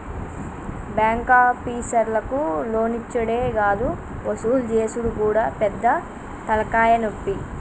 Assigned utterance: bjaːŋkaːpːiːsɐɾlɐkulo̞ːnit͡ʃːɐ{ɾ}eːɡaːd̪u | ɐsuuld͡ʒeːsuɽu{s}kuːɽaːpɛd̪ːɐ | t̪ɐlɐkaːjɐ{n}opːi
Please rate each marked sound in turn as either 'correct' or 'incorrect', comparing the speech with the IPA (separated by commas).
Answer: incorrect, incorrect, correct